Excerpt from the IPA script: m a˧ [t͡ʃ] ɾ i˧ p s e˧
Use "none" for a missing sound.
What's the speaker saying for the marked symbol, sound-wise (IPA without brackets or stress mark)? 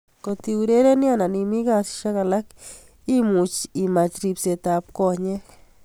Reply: t͡ʃ